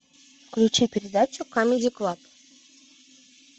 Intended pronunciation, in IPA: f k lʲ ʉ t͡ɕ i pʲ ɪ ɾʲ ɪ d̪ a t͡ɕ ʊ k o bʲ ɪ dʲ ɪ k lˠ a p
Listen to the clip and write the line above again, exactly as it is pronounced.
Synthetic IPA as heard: f k lʲ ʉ t͡ɕ i pʲ ɪ ɾʲ ɪ d̪ a t͡ɕ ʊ k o mʲ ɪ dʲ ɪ k lˠ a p

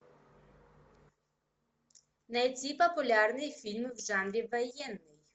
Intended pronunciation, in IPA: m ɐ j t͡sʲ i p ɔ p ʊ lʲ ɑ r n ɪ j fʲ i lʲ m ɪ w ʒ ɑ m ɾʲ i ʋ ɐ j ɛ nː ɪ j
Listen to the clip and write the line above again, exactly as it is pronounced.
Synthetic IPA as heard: n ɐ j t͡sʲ i p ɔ p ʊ lʲ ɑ r n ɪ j fʲ i lʲ m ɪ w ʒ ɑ n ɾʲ i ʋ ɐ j ɛ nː ɪ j

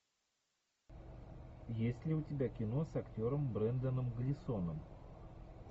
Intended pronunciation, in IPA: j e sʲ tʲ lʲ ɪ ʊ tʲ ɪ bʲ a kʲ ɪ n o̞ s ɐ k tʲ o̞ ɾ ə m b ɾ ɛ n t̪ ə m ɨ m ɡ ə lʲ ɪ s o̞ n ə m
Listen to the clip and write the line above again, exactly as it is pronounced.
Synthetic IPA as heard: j e sʲ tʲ lʲ ɪ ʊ tʲ ɪ bʲ a kʲ ɪ n o̞ s ɐ k tʲ o̞ ɾ ə m b ɾ ɛ n d̪ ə n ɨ m ɡ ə lʲ ɪ s o̞ n ə m

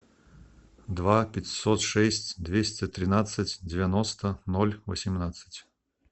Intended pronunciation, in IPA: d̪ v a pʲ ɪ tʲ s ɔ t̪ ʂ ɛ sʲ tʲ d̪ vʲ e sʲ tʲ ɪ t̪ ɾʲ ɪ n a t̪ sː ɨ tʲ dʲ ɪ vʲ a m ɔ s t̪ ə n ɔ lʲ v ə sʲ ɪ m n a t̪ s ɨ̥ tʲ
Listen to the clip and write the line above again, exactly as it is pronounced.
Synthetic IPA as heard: d̪ v a pʲ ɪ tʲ s ɔ t̪ ʂ ɛ sʲ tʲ d̪ vʲ e sʲ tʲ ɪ t̪ ɾʲ ɪ n a t̪ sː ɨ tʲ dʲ ɪ vʲ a n ɔ s t̪ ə n ɔ lʲ v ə sʲ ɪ m n a t̪ s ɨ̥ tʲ

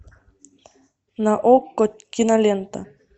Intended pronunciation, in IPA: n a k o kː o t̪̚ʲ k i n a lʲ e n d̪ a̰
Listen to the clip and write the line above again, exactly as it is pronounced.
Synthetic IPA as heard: n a ʔ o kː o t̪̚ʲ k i n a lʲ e n t̪ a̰

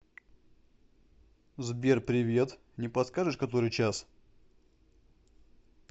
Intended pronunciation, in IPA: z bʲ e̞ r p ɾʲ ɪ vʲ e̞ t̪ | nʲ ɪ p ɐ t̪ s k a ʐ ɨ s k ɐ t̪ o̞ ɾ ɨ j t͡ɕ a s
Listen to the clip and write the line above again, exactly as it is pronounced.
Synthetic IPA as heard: z bʲ e̞ r p ɾʲ ɪ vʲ e̞ t̪ | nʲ ɪ p ɐ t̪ s k a ʐ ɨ ʂ k ɐ t̪ o̞ ɾ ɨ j t͡ɕ a s

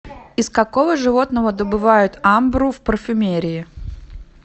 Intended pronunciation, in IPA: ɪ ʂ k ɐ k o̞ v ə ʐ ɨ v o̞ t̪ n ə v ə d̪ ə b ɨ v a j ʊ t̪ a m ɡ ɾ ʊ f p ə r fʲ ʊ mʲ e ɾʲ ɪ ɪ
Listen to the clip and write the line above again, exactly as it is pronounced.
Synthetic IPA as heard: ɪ s k ɐ k o̞ v ə ʐ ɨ v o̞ t̪ n ə v ə d̪ ə b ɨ v a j ʊ t̪ a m b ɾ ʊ f p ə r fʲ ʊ mʲ e ɾʲ ɪ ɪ

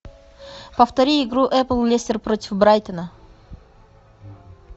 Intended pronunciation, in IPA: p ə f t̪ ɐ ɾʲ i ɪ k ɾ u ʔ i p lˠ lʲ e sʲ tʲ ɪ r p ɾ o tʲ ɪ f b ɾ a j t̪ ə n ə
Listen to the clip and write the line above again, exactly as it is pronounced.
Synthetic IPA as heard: p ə f t̪ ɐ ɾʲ i ɪ ɡ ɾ u ʔ ɛ p lˠ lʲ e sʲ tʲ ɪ r p ɾ o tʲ ɪ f b ɾ a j t̪ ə n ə

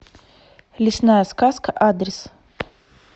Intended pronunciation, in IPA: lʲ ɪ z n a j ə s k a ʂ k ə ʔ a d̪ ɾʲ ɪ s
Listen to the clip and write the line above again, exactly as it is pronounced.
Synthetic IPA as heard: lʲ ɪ s n a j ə s k a s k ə ʔ a d̪ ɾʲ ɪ s

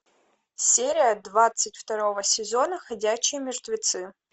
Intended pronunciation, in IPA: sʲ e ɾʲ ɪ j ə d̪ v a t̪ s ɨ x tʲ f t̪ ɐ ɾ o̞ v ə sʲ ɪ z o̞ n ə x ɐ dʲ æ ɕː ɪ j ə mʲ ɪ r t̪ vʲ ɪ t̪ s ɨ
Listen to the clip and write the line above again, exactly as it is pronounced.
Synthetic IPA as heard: sʲ e ɾʲ ɪ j ə d̪ v a t̪ s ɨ tʲ f t̪ ɐ ɾ o̞ v ə sʲ ɪ z o̞ n ə x ɐ dʲ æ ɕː ɪ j ə mʲ ɪ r t̪ vʲ ɪ t̪ s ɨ

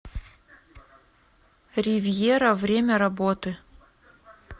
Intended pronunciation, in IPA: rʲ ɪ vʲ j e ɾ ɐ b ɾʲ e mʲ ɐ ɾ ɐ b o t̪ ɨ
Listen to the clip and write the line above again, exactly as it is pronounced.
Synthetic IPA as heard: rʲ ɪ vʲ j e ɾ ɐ v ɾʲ e mʲ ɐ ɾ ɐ b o t̪ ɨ

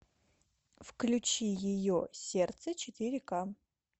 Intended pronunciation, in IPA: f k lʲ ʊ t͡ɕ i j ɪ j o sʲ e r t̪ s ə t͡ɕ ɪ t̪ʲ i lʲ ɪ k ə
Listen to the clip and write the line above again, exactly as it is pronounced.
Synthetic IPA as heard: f k lʲ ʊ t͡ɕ i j ɪ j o sʲ e r t̪ s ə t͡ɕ ɪ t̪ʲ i ɾʲ ɪ k a

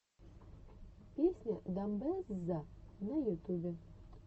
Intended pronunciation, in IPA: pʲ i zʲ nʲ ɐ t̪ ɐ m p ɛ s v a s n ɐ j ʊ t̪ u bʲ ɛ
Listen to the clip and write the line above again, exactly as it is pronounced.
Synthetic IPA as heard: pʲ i sʲ nʲ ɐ d̪ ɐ m b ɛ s z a n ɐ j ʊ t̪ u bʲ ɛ

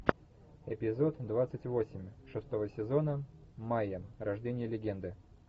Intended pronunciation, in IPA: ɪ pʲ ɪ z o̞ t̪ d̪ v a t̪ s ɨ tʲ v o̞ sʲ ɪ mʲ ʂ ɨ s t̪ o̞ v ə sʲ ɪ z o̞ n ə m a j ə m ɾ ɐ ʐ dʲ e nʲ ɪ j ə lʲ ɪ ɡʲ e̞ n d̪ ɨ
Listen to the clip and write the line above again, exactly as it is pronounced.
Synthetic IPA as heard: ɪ pʲ ɪ z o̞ t̪ d̪ v a t̪ s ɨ tʲ v o̞ sʲ ɪ mʲ ʂ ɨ s t̪ o̞ v ə sʲ ɪ z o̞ n ə m a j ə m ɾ ɐ ʐ dʲ e nʲ ɪ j ə lʲ ɪ ɡʲ e̞ n d̪ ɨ

